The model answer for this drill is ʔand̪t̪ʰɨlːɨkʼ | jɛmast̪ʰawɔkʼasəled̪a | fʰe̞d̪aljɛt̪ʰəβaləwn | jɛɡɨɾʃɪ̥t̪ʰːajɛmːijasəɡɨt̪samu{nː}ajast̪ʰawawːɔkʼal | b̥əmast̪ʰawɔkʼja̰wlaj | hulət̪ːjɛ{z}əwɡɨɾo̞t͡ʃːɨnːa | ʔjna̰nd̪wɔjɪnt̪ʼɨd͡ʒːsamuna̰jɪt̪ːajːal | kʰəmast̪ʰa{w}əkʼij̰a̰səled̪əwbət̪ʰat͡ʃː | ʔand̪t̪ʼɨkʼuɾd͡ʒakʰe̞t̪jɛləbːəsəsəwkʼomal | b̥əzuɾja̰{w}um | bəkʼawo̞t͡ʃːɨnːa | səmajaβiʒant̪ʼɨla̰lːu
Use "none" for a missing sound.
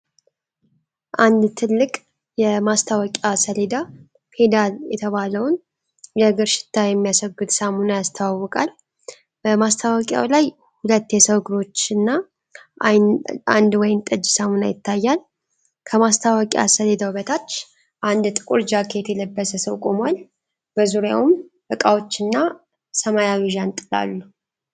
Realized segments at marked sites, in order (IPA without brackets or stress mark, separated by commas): n, s, w, w